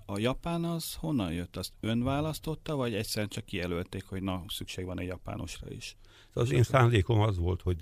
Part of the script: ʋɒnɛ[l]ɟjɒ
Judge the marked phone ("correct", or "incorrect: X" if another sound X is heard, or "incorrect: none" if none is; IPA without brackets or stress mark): incorrect: none